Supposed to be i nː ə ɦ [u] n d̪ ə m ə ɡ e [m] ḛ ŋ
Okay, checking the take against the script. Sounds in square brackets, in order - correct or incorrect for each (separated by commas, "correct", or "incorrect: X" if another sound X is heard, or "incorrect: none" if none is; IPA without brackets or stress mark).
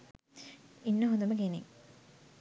incorrect: o, incorrect: n